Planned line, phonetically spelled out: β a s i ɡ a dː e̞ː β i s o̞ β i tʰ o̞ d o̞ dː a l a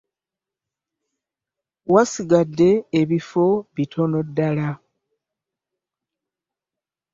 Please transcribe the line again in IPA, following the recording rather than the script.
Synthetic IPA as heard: w a s i ɡ a dː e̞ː β i f o̞ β i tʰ o̞ n o̞ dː a l a